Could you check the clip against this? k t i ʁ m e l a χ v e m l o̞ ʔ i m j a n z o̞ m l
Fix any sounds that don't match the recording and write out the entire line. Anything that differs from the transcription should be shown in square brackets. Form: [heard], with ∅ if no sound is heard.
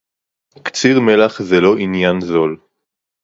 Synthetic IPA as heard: k [t͡s] i ʁ m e l a χ [z] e [∅] l o̞ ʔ i [n] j a n z o̞ [∅] l

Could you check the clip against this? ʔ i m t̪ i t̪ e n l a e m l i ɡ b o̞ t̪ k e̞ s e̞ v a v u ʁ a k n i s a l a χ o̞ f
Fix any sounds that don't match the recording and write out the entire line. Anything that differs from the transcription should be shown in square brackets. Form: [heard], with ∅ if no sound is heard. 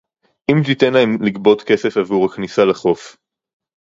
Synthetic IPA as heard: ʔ i m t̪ i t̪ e n l a e m l i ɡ b o̞ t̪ k e̞ s e̞ [f] a v u ʁ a k n i s a l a χ o̞ f

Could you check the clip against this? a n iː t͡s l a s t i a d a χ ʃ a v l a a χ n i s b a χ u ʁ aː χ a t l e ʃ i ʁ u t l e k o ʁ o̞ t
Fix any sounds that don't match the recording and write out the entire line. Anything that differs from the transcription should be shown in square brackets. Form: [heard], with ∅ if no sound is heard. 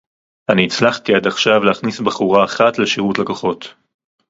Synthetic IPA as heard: a n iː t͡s l a [χ] t i a d a χ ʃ a v l [e] a χ n i s b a χ u ʁ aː χ a t l e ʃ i ʁ u t l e k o [χ] o̞ t

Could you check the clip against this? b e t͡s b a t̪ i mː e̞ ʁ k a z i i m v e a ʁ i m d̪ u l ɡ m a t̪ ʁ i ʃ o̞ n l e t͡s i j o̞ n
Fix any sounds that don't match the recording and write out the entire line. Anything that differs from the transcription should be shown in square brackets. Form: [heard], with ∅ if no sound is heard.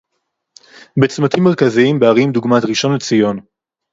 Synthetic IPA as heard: b e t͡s [m] a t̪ i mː e̞ ʁ k a z i i m [b] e a ʁ i m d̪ u [∅] ɡ m a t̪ ʁ i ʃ o̞ n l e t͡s i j o̞ n

